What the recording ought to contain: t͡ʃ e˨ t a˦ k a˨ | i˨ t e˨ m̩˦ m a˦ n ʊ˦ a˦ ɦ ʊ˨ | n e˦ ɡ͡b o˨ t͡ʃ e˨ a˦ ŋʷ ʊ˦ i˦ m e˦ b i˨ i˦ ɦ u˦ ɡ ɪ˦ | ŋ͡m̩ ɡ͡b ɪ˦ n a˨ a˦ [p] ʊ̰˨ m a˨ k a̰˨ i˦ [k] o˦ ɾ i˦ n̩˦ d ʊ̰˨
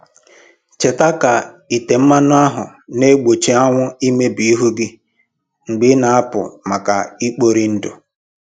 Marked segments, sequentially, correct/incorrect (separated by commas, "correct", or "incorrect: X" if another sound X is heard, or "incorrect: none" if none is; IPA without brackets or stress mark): correct, incorrect: k͡p